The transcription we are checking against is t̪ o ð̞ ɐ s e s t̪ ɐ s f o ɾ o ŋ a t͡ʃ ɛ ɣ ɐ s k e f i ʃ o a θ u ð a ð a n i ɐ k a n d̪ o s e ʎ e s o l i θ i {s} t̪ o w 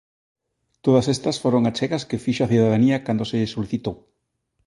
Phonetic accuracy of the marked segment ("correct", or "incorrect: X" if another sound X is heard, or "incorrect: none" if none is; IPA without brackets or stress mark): incorrect: none